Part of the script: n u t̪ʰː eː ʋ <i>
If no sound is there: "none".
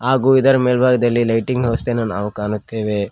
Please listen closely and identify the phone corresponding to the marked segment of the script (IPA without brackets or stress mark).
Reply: e